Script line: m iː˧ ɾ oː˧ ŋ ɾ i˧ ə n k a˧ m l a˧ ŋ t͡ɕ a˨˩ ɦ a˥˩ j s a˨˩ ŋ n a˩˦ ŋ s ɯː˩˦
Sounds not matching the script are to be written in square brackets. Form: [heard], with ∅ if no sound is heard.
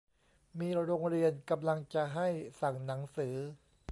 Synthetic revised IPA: m iː˧ ɾ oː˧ ŋ ɾ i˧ ə n k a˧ m l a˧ ŋ t͡ɕ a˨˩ ɦ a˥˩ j s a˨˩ ŋ n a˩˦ ŋ s ɯː˩˦